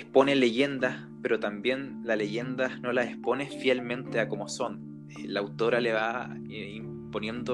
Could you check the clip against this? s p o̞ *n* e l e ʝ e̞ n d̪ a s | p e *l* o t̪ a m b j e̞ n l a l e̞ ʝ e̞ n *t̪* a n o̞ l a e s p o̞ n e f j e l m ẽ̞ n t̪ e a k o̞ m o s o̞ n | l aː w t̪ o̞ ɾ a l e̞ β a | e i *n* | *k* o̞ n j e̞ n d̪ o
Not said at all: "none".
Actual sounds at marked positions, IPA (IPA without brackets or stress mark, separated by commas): n, ɾ, d̪, m, p